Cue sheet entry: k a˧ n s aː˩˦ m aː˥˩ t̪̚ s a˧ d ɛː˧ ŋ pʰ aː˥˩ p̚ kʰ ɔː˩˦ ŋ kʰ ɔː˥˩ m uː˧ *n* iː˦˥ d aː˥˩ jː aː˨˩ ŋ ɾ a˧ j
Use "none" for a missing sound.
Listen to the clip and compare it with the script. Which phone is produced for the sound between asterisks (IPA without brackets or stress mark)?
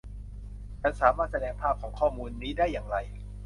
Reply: nː